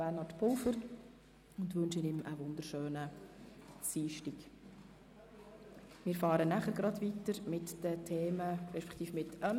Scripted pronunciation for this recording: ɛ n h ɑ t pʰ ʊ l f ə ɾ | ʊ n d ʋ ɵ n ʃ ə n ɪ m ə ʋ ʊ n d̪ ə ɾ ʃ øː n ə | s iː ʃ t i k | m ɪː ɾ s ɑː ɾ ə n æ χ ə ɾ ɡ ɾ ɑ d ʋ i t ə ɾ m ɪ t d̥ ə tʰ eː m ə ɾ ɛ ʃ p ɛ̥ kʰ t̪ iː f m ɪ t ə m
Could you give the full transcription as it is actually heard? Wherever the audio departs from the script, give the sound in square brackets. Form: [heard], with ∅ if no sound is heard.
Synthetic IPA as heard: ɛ n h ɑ t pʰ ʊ l f ə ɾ | ʊ n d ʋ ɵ n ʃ ə n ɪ m ə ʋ ʊ n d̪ ə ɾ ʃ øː n ə | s iː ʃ t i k | m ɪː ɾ [f] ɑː ɾ ə n æ χ ə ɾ ɡ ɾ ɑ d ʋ i t ə ɾ m ɪ t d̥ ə tʰ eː m ə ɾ ɛ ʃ p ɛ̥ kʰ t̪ iː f m ɪ t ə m